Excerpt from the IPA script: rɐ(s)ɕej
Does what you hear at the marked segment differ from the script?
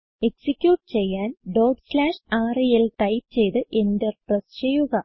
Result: no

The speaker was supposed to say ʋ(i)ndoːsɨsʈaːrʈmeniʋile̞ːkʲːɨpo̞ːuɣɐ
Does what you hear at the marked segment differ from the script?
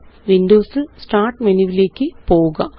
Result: no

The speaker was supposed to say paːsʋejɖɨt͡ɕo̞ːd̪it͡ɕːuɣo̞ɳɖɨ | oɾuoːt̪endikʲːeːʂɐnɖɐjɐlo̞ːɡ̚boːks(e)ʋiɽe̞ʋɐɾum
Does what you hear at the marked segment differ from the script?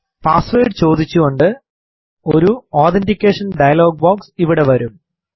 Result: yes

